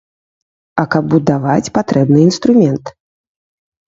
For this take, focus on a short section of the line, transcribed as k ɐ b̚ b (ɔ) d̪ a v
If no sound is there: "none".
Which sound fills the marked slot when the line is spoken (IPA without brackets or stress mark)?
u